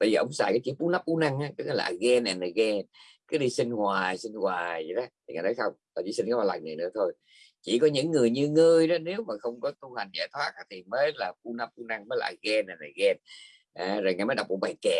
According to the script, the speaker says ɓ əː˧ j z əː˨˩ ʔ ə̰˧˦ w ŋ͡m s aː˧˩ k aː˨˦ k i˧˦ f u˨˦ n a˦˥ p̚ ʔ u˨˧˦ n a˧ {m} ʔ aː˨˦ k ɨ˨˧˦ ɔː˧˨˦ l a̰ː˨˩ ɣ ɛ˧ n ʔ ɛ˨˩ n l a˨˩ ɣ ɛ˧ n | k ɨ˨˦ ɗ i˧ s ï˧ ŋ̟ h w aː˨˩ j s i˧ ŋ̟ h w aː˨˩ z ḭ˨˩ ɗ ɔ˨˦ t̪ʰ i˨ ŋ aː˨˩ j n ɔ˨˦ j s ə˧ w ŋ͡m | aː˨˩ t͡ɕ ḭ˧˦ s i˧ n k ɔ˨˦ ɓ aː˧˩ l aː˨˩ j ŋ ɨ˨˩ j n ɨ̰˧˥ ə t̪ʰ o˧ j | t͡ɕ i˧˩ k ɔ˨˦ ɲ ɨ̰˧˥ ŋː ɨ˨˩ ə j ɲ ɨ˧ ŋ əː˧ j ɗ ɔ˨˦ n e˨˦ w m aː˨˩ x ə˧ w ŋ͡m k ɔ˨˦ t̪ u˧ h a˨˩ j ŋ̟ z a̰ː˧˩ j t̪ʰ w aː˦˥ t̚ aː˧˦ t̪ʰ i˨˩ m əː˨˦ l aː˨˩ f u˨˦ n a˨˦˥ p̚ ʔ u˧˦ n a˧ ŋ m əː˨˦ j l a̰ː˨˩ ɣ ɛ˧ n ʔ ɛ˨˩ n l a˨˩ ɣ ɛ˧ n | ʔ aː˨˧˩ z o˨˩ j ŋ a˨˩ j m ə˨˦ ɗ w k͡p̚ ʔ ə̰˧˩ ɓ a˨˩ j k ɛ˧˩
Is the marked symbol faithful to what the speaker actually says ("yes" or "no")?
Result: no